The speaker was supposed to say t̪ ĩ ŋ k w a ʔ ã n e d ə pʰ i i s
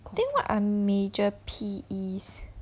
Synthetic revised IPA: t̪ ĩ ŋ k w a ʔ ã m e d͡ʒ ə pʰ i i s

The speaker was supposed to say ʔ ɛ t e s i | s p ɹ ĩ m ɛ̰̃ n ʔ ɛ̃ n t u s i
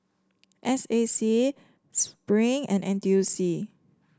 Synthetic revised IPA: ʔ ɛ s e s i | s p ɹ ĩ ŋ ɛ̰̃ n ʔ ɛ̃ n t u s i

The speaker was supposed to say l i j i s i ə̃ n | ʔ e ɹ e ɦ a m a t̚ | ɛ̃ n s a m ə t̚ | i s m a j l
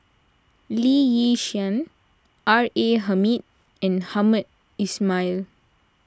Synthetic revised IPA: l i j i ʃ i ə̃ n | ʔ a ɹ e ɦ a m i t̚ | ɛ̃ n h a m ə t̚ | i s m a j l

